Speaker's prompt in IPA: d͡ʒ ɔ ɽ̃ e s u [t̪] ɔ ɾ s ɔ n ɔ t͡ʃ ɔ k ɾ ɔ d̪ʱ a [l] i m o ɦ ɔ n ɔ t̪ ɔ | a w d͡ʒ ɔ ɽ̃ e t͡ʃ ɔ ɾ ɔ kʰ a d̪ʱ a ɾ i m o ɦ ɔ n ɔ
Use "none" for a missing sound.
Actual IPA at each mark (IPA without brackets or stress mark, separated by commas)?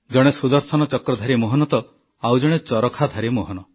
d̪, ɾ